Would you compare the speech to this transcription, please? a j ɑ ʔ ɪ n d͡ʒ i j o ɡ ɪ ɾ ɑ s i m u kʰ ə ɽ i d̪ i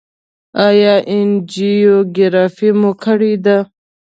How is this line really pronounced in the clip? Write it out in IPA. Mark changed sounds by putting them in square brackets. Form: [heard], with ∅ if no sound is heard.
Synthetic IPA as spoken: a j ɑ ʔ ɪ n d͡ʒ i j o ɡ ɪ ɾ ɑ [f] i m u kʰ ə ɽ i d̪ [a]